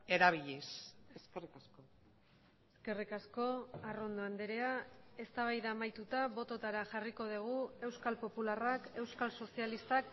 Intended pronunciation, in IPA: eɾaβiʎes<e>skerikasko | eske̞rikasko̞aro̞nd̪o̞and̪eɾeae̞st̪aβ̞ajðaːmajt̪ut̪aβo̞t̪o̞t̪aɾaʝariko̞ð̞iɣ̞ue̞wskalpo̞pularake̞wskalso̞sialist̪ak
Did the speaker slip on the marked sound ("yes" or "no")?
no